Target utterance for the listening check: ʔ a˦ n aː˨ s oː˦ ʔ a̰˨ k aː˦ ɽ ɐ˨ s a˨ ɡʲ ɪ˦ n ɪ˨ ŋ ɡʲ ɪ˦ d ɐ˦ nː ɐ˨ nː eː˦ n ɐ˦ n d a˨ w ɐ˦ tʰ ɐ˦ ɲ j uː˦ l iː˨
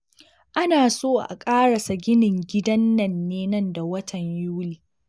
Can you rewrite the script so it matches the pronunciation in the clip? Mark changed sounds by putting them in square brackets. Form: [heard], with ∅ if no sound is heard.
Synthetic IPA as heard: ʔ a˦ n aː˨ s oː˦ ʔ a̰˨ [kʼ] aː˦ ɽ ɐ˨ s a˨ ɡʲ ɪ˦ n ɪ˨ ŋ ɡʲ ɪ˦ d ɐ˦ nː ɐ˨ nː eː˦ n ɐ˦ n d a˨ w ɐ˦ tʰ [ɐ˨] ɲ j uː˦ l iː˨